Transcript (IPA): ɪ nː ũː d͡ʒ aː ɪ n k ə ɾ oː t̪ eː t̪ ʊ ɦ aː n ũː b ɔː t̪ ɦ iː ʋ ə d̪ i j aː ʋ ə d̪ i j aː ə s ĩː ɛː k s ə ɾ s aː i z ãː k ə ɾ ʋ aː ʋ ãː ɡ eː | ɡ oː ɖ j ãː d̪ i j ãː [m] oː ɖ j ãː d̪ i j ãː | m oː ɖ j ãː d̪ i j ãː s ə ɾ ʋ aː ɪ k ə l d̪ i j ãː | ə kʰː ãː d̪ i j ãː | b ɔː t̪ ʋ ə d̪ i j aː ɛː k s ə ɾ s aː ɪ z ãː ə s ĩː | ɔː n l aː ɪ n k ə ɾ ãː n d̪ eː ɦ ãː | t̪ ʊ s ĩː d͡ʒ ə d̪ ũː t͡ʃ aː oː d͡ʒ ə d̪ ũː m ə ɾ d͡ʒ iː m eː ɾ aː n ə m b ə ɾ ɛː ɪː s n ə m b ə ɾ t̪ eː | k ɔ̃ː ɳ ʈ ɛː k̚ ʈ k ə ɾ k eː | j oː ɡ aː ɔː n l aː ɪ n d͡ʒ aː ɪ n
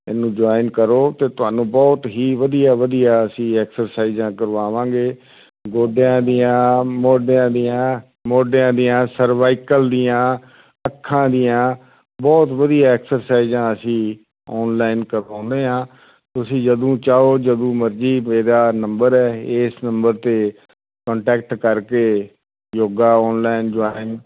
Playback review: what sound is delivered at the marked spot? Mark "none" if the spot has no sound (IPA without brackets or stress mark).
m